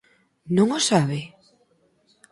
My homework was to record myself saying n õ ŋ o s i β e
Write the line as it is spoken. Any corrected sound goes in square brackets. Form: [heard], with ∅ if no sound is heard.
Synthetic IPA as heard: n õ ŋ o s [a] β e

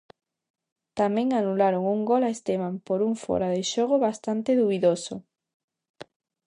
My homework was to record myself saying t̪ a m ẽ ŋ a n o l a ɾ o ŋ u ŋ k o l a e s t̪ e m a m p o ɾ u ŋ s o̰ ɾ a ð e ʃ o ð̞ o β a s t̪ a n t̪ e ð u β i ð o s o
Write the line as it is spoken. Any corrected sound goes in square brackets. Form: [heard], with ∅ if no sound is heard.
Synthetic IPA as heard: t̪ a m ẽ ŋ a n [u] l a ɾ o ŋ u ŋ [ɡ] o l a e s t̪ e m a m p o ɾ u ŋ [f] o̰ ɾ a ð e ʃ o [ɣ̞] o β a s t̪ a n t̪ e ð u β i ð o s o

